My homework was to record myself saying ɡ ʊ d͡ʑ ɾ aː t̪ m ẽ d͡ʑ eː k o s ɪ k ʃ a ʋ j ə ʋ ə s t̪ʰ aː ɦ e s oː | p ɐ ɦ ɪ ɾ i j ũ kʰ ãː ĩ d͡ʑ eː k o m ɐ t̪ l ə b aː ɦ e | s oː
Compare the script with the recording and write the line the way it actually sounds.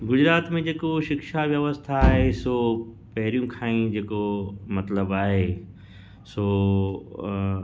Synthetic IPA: ɡ ʊ d͡ʑ ɾ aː t̪ m ẽ d͡ʑ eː k o ʃ ɪ k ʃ a ʋ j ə ʋ ə s t̪ʰ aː ɦ e s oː | p ɐ ɦ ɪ ɾ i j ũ kʰ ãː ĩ d͡ʑ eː k o m ɐ t̪ l ə b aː ɦ e | s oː